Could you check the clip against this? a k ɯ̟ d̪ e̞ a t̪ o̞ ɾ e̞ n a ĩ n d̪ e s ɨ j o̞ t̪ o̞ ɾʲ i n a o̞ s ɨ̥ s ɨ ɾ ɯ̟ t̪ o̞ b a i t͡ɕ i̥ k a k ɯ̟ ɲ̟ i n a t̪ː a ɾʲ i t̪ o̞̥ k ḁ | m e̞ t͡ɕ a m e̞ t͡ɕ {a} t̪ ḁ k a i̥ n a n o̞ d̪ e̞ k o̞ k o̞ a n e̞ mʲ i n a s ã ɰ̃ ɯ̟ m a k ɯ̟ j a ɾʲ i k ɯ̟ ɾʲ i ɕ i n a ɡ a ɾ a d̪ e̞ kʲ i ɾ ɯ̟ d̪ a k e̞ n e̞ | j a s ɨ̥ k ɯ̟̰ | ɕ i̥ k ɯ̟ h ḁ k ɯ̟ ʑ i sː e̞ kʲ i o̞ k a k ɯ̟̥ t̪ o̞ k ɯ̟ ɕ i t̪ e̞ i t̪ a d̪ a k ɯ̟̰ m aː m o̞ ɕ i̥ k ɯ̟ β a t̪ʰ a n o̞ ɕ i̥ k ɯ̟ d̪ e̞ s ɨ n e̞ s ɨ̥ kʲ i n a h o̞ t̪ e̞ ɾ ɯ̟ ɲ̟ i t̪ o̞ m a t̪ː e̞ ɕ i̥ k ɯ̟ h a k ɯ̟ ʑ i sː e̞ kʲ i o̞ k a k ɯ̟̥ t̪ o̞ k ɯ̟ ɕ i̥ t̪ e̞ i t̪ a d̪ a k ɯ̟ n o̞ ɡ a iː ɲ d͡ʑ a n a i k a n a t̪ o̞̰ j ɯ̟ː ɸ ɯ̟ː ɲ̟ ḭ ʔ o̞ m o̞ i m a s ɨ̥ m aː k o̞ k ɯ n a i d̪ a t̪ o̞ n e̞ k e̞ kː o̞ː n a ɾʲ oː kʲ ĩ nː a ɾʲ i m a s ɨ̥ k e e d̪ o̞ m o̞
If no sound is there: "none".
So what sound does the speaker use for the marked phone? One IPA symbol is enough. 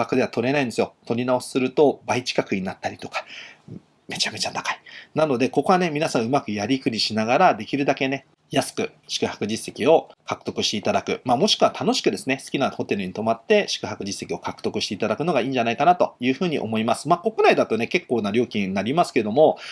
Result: a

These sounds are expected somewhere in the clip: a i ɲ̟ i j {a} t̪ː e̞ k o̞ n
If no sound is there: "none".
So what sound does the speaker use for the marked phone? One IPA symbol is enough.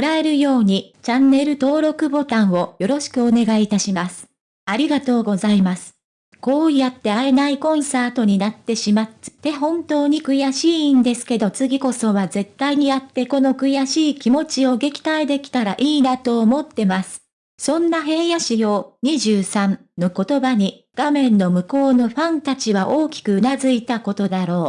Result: a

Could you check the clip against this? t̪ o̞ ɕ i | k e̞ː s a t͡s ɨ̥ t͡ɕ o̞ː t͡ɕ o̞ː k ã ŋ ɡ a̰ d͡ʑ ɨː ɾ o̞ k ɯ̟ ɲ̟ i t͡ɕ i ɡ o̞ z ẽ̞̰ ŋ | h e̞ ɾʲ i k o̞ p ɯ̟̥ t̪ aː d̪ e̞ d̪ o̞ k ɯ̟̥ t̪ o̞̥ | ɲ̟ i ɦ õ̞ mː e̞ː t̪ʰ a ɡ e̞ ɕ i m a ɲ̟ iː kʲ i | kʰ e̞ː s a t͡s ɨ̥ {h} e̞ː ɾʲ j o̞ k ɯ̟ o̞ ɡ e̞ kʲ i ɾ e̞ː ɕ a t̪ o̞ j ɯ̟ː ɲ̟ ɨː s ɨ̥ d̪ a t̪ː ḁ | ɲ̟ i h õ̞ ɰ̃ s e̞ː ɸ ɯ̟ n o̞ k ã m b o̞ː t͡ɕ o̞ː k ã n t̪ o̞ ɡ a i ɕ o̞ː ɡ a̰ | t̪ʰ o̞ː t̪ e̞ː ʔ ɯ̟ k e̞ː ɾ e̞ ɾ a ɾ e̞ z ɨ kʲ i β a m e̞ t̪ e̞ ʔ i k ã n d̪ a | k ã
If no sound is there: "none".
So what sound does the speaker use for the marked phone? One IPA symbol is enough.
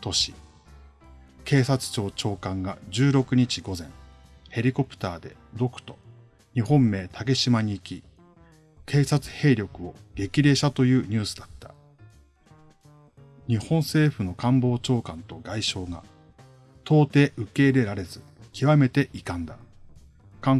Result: h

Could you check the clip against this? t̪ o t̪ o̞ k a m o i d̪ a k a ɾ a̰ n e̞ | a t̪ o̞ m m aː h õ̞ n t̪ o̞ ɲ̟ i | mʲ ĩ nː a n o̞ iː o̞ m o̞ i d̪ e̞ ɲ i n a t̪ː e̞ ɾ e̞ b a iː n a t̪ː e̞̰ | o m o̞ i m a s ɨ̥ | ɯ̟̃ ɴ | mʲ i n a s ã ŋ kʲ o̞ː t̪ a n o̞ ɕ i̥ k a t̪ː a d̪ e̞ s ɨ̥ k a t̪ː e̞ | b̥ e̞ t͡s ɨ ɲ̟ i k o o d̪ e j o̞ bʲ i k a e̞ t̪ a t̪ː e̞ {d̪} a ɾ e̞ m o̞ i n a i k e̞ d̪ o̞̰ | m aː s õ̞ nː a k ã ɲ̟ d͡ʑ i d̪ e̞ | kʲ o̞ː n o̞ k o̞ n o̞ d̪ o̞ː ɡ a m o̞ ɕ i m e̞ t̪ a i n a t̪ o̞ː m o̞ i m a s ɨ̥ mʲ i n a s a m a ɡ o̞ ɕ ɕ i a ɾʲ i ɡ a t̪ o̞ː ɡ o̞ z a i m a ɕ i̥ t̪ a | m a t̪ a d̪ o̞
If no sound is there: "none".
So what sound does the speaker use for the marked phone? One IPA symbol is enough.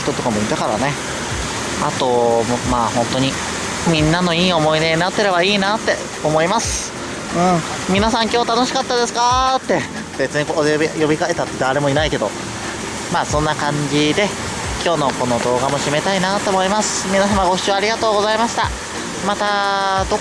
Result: d̪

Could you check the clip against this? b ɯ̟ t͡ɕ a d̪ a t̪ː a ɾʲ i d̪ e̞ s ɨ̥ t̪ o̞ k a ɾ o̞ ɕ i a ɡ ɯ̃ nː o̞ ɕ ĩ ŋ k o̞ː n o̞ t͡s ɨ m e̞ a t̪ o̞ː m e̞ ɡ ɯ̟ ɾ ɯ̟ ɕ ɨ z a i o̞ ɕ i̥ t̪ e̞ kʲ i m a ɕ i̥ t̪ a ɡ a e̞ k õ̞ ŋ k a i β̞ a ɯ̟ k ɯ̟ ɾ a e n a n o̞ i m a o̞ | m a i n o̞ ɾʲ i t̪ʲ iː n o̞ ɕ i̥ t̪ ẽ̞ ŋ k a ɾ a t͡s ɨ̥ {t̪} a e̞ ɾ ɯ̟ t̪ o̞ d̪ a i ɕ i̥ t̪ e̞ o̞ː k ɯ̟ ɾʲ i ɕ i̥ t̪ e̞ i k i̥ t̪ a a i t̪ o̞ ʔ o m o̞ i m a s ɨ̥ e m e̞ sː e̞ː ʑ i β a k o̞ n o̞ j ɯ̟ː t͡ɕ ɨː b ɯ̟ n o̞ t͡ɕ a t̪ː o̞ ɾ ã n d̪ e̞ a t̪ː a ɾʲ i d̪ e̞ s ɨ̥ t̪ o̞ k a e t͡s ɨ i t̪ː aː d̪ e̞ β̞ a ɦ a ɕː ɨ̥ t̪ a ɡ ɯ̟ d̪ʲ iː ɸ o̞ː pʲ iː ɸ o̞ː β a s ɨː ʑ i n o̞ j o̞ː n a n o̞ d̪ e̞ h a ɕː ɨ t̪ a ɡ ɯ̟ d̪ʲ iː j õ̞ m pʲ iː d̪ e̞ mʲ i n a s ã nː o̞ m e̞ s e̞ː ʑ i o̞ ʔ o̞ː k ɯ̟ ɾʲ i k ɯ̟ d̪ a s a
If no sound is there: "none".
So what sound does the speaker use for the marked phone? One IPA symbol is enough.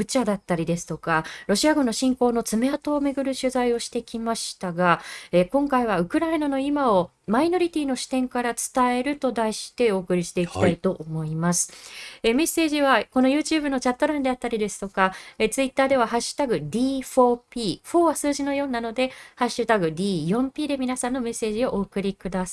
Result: t̪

